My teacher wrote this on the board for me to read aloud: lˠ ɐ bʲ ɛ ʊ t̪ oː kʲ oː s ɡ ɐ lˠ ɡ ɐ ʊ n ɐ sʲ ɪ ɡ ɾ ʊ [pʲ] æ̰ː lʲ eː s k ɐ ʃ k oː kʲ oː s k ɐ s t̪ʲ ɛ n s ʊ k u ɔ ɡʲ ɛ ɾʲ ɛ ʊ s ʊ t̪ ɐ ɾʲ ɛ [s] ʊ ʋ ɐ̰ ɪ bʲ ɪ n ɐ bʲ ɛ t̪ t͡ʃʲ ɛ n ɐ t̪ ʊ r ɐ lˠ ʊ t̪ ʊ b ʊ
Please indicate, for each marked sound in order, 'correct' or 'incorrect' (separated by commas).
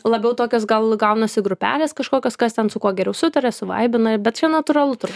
correct, correct